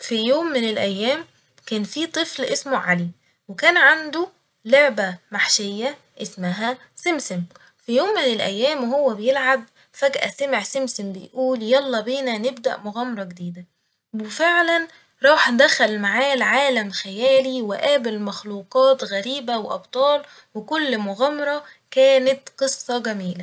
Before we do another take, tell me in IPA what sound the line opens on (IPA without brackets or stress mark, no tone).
f